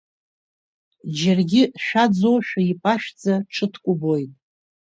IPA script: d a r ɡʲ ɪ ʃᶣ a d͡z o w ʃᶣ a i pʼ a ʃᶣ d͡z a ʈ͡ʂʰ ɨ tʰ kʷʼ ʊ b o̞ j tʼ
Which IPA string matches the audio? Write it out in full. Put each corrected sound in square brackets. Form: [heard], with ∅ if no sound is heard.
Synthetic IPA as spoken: [d͡ʒ] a r ɡʲ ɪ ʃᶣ a d͡z o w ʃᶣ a i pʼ a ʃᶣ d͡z a ʈ͡ʂʰ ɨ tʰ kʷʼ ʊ b o̞ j tʼ